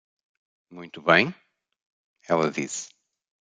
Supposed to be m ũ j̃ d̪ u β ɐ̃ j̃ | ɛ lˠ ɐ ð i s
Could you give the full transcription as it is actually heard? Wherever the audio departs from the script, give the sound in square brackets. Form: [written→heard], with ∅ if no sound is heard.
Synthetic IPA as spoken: m ũ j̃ [d̪→t̪] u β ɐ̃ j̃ | ɛ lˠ ɐ ð i s